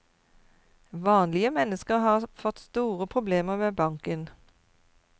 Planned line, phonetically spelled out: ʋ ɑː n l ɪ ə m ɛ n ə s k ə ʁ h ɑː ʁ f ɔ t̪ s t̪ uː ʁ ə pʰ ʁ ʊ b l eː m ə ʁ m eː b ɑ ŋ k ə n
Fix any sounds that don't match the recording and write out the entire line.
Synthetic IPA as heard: ʋ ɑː n l ɪ ə m ɛ n ə s k ə ʁ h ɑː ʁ f ɔ t̪ s t̪ uː ʁ ə pʰ ʁ ʊ b l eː m ə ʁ m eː b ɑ ŋ k ə n